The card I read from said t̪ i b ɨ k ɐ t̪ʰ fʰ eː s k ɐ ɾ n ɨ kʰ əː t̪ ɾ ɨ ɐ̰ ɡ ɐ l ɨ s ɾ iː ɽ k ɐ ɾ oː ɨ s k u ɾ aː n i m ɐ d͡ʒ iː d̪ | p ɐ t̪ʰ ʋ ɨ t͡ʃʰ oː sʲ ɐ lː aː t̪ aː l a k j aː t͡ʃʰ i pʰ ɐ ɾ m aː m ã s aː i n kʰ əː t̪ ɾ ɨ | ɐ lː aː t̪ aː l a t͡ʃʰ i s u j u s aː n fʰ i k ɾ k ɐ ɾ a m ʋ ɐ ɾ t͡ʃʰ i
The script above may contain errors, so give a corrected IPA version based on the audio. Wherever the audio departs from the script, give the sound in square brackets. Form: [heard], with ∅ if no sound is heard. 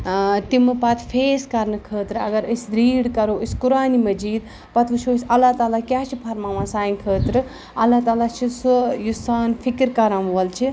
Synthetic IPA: t̪ i [m] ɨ [p] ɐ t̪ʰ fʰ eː s k ɐ ɾ n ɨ kʰ əː t̪ ɾ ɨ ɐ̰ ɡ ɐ [ɾ] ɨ s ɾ iː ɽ k ɐ ɾ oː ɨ s k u ɾ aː n i m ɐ d͡ʒ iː d̪ | p ɐ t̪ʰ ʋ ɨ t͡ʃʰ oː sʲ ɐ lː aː t̪ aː l a k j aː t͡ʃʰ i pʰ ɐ ɾ m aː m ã s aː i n kʰ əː t̪ ɾ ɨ | ɐ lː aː t̪ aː l a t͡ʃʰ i s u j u s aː n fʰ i k ɾ k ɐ ɾ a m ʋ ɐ [l] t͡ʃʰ i

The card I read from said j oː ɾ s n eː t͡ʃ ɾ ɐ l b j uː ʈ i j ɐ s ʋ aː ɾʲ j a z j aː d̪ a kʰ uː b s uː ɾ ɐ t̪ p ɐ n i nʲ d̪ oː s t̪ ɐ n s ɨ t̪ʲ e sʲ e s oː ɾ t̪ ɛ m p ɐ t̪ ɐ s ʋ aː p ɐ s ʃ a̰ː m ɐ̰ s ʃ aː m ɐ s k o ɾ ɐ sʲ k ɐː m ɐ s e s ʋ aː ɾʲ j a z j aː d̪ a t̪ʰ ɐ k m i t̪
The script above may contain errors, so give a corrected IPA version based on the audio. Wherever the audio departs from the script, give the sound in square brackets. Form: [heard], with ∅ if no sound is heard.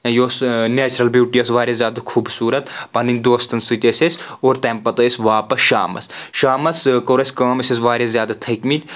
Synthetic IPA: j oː [∅] s n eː t͡ʃ ɾ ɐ l b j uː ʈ i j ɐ s ʋ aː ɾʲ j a z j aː d̪ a kʰ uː b s uː ɾ ɐ t̪ p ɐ n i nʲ d̪ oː s t̪ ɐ n s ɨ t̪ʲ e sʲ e s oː ɾ t̪ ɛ m p ɐ t̪ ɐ s ʋ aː p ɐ s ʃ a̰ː m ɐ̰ s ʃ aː m ɐ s k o ɾ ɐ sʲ k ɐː m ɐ s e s ʋ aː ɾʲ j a z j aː d̪ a t̪ʰ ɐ k m i t̪

